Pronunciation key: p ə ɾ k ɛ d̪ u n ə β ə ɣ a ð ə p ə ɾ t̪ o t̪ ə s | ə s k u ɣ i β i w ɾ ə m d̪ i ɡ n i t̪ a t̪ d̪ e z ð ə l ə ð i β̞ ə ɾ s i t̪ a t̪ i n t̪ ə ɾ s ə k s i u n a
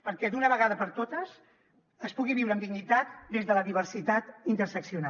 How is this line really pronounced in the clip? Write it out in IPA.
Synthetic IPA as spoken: p ə ɾ k ɛ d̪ u n ə β ə ɣ a ð ə p ə ɾ t̪ o t̪ ə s | ə s p u ɣ i β i w ɾ ə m d̪ i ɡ n i t̪ a t̪ d̪ e z ð ə l ə ð i β̞ ə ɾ s i t̪ a t̪ i n t̪ ə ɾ s ə k s i u n a